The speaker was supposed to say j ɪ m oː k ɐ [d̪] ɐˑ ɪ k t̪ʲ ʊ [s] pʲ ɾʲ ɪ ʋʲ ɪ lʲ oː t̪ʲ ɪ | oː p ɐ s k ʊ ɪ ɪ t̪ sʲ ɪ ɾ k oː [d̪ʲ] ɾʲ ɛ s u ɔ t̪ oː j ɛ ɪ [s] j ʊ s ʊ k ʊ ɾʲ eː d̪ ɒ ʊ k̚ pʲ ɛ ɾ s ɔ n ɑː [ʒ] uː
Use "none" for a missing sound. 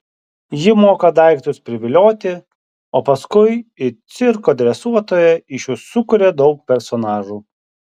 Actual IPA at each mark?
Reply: d̪, s, d̪ʲ, ʃ, ʒ

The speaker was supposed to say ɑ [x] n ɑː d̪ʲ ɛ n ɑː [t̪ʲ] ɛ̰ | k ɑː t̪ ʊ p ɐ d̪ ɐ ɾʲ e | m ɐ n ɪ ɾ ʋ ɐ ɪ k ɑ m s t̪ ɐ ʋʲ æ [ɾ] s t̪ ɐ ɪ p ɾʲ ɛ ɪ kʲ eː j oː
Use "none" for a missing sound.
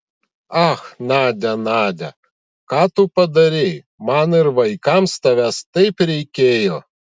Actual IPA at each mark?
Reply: x, d̪ʲ, none

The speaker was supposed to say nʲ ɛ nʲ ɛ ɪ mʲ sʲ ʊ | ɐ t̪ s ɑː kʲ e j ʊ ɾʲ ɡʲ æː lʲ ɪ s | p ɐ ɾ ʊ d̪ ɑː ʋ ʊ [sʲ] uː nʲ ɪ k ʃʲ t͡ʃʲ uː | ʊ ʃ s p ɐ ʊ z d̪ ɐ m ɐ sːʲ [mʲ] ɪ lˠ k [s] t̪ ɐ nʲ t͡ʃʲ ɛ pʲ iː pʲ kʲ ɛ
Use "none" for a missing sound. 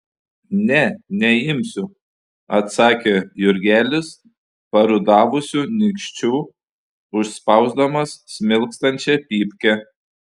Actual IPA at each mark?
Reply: sʲ, mʲ, s

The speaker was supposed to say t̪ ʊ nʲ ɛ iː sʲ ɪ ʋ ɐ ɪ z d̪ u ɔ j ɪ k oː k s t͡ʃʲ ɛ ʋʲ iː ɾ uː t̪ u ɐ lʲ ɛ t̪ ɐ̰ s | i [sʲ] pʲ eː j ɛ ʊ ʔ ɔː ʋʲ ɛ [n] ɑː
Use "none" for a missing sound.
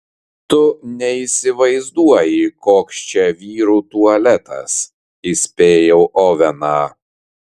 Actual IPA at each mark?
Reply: sʲ, n

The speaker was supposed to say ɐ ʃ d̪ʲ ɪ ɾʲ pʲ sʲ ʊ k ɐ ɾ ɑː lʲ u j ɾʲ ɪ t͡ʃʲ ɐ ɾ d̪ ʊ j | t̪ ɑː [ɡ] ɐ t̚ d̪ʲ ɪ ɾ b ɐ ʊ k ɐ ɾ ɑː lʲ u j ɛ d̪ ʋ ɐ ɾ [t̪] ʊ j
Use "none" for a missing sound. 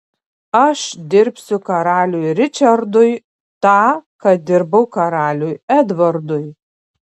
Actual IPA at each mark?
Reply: k, d̪

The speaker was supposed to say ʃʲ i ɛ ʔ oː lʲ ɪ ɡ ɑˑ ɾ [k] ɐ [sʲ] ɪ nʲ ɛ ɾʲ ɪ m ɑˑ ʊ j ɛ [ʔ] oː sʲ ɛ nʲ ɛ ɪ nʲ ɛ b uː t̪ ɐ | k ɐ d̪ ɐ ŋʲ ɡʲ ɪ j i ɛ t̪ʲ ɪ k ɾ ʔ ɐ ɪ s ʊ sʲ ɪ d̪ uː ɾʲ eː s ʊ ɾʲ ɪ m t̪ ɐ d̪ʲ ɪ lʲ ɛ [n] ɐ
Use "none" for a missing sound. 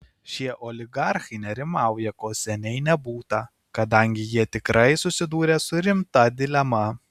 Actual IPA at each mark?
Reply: x, none, k, m

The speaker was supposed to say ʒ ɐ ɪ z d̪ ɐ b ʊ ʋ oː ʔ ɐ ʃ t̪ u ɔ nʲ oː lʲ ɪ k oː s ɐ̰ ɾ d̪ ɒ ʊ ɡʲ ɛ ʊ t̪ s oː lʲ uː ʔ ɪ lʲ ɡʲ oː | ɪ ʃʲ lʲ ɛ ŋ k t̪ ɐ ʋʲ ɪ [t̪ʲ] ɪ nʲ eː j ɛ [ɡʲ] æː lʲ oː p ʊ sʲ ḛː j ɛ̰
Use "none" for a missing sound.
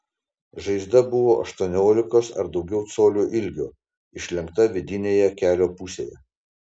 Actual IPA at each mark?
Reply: d̪ʲ, kʲ

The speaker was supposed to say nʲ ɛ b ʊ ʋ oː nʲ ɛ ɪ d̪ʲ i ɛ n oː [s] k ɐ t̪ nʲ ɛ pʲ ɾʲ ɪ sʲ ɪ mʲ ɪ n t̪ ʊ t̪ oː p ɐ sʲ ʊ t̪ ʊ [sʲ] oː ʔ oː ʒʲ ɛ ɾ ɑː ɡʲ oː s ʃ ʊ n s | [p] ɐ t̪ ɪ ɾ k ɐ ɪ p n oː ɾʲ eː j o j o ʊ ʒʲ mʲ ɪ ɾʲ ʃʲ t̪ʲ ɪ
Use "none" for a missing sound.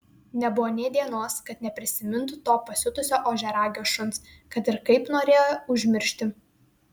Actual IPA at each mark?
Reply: s, sʲ, k

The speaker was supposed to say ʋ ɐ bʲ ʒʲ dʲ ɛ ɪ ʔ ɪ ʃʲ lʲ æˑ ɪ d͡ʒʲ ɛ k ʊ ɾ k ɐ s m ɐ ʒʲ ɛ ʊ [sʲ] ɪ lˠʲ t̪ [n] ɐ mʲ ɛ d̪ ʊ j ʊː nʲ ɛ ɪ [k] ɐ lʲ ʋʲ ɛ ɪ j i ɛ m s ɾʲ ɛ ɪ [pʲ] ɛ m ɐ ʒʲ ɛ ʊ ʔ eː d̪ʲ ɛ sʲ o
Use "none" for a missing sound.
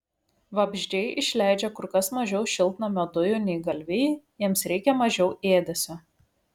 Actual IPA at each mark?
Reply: ʃʲ, n, ɡ, kʲ

